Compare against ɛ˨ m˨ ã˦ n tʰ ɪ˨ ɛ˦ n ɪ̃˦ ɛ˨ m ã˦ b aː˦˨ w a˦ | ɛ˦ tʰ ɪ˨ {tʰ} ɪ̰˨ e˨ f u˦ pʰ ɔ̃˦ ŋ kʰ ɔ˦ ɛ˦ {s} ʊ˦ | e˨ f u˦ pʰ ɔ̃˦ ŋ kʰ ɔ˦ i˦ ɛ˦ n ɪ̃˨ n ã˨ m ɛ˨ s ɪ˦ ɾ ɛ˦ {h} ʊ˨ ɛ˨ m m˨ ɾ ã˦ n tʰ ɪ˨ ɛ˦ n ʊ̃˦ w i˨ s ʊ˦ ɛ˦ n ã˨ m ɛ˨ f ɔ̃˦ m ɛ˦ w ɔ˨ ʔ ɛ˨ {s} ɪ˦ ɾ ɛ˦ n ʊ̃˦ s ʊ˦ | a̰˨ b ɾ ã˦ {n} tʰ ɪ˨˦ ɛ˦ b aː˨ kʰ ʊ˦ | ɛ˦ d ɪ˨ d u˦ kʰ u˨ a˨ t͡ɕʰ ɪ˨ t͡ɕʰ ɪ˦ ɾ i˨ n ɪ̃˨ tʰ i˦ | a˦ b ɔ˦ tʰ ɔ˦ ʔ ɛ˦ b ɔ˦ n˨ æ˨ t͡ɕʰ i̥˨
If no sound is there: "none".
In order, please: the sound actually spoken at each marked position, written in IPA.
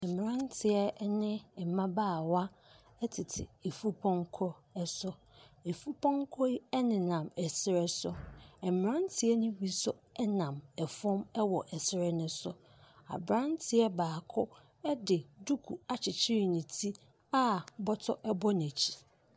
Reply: tʰ, s, s, s, n

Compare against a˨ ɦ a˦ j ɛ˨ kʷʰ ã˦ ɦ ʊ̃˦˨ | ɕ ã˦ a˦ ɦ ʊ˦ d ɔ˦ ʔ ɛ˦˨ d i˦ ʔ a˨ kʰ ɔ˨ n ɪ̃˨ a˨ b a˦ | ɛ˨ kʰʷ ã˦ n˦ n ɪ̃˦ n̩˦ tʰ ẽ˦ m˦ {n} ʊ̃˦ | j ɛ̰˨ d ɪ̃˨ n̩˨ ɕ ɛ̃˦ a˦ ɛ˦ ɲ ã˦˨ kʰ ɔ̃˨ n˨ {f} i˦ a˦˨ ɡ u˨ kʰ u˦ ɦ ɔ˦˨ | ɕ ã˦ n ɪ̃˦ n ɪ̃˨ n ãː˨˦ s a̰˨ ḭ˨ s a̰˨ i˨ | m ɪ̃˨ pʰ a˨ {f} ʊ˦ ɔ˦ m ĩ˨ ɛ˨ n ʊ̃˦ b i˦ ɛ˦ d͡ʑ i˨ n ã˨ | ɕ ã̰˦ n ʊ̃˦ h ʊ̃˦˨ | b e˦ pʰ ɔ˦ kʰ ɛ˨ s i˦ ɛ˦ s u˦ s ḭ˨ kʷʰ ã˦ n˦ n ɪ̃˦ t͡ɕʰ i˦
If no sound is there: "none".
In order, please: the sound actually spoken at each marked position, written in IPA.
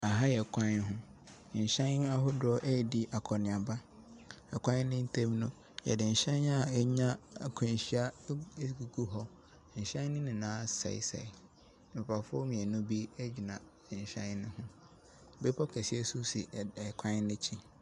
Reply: n, ɕ, f

